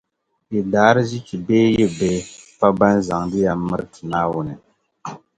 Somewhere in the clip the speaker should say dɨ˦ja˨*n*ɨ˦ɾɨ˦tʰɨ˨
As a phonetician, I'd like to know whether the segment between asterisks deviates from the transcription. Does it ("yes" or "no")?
yes